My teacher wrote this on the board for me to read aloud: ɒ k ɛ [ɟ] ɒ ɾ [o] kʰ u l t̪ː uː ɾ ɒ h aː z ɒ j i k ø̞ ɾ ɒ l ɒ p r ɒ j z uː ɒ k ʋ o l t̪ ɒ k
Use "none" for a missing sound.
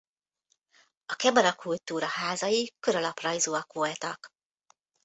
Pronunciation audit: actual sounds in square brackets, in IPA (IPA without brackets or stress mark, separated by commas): b, ɒ